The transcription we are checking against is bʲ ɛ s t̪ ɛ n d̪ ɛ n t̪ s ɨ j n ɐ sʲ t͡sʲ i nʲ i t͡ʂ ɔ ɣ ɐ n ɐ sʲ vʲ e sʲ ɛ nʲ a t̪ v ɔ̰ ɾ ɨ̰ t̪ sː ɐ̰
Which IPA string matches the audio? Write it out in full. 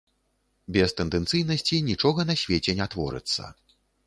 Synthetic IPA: bʲ ɛ s t̪ ɛ n d̪ ɛ n t̪ s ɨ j n ɐ sʲ t͡sʲ i nʲ i t͡ʂ ɔ ɣ ɐ n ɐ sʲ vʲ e t͡sʲ ɛ nʲ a t̪ v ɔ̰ ɾ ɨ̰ t̪ sː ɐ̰